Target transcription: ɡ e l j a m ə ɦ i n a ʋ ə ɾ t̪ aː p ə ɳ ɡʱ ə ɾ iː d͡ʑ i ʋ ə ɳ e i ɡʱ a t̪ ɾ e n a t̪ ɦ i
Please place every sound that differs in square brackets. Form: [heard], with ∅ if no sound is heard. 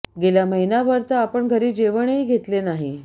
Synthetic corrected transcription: ɡ e l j a m ə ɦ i n a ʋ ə ɾ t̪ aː p ə ɳ ɡʱ ə ɾ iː d͡ʑ [e] ʋ ə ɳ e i ɡʱ [e] t̪ [l] e n a [∅] ɦ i